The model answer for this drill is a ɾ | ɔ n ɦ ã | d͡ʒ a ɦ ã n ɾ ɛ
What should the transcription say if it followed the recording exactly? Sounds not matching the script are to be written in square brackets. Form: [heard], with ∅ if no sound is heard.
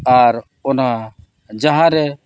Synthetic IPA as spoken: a ɾ | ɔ n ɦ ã | d͡ʒ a ɦ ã [∅] ɾ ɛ